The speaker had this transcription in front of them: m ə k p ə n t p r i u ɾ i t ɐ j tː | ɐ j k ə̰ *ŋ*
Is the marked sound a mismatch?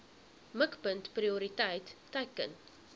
yes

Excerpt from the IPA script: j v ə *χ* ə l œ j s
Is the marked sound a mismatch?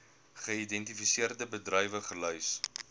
no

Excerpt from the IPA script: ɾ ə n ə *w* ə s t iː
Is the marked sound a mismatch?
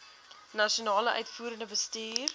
yes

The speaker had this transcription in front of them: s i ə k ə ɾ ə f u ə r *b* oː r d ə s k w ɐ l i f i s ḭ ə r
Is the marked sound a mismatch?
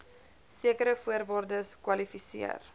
yes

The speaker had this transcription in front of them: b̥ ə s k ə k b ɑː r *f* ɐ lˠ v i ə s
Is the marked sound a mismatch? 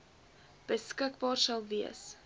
yes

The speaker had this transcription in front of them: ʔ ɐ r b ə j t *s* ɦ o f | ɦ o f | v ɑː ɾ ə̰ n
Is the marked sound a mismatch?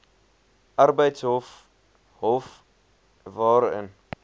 no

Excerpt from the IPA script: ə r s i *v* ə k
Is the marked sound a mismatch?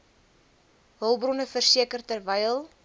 yes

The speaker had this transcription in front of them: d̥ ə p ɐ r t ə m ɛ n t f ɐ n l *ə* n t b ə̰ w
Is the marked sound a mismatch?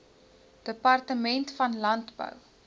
yes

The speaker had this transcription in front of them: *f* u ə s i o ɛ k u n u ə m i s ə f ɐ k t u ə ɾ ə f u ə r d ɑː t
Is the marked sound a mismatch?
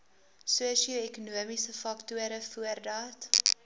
yes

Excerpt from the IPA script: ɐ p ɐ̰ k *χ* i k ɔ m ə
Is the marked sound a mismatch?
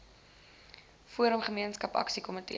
yes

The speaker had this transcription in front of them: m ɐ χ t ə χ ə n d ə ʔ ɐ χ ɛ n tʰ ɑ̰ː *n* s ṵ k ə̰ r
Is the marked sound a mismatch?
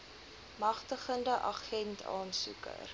no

